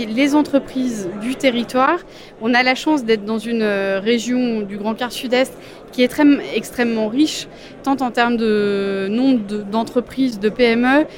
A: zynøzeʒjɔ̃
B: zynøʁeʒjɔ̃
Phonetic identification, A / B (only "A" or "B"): B